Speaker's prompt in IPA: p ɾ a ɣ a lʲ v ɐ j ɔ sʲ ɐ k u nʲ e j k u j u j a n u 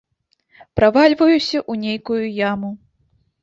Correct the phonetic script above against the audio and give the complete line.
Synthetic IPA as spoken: p ɾ a v a lʲ v ɐ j u sʲ ɐ ʔ u nʲ e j k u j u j a m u